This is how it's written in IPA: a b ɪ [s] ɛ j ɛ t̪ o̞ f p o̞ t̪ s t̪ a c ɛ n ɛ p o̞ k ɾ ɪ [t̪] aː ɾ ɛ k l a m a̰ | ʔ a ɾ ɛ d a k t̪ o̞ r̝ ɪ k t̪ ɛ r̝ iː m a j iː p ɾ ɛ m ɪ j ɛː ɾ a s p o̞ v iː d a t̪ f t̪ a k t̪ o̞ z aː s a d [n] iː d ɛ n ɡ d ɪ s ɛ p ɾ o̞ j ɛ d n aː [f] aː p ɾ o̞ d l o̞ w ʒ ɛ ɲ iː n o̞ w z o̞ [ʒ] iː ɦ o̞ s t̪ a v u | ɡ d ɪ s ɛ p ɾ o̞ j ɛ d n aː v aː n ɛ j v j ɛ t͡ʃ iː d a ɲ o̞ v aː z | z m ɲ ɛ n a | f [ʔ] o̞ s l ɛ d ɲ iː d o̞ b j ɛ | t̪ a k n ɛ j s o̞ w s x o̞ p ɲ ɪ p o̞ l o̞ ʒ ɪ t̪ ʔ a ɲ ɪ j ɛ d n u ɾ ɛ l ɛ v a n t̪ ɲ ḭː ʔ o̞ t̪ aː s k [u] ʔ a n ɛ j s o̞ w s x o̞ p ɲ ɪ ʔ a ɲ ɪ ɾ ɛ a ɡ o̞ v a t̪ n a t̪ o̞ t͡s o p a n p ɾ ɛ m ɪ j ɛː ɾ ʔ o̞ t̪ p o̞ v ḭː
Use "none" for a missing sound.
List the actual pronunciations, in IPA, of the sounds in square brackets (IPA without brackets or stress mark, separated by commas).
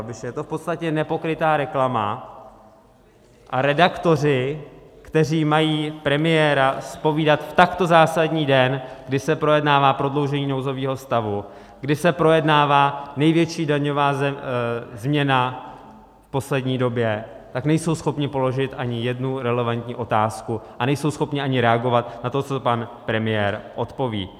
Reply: ʃ, t̪, ɲ, v, v, p, u